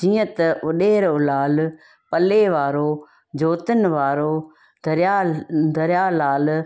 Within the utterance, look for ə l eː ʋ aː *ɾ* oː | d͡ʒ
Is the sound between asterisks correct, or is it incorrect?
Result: correct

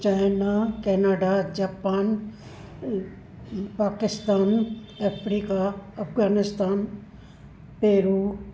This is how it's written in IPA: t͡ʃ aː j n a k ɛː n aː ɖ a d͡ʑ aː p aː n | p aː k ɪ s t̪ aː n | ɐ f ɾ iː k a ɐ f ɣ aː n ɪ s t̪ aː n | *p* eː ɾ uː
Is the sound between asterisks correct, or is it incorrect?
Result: correct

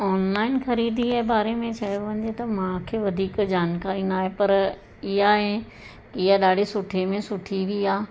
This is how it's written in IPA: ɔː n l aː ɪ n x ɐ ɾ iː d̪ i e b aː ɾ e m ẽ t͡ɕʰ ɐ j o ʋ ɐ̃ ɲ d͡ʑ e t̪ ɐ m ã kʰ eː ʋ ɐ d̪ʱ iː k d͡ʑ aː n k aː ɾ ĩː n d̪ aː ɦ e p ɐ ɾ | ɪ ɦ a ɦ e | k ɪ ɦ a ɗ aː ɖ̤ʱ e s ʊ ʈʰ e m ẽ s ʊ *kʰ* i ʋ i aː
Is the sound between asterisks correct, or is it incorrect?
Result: incorrect: ʈʰ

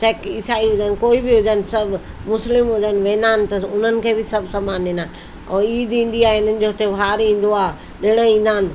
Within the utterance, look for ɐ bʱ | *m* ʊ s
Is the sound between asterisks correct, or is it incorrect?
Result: correct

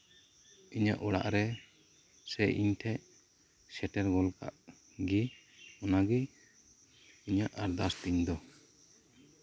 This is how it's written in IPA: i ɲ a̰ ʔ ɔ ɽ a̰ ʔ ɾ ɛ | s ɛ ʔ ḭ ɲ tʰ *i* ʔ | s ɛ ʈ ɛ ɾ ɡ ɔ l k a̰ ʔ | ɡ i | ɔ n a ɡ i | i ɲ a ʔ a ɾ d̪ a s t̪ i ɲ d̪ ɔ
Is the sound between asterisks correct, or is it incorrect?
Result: incorrect: ɛ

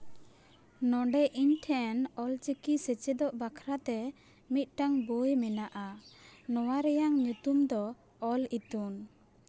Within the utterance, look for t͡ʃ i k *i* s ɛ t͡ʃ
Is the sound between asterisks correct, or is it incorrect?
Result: correct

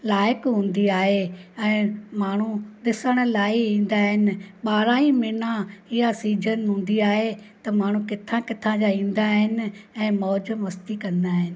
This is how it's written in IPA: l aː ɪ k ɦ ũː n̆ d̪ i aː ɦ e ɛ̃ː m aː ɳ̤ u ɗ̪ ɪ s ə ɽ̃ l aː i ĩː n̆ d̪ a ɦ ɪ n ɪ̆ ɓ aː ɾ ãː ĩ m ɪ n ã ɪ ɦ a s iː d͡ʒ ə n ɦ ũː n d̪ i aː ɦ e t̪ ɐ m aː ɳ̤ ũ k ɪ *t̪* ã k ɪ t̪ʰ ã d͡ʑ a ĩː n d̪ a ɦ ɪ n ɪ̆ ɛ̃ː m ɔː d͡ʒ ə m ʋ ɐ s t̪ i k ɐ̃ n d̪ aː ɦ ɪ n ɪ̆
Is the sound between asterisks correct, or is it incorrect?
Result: incorrect: t̪ʰ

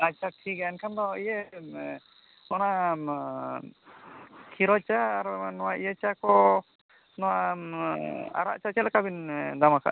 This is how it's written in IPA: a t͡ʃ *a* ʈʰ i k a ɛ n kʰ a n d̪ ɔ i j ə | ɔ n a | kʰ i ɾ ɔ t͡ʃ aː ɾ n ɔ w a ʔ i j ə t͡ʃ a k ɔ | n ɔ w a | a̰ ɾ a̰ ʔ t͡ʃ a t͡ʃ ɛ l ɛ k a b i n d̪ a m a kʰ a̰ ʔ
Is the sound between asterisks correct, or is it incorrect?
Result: correct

